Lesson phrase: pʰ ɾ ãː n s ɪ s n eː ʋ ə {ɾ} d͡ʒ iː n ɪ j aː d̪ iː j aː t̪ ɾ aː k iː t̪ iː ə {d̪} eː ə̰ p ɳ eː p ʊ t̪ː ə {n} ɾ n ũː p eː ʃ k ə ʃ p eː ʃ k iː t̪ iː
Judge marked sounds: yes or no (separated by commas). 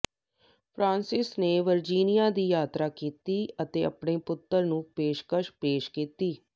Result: yes, no, no